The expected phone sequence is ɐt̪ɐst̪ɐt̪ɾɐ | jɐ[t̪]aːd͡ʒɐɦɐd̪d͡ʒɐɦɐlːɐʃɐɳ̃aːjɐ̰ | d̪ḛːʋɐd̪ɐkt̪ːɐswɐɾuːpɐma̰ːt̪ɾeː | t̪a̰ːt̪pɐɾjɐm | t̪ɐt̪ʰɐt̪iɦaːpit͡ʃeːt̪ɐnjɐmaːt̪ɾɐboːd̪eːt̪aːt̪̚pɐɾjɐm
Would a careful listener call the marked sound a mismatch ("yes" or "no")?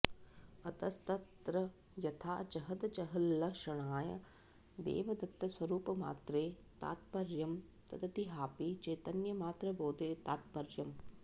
yes